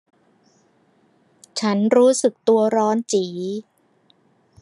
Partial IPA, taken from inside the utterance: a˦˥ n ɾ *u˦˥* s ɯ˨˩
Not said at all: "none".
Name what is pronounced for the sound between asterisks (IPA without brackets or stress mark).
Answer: uː˦˥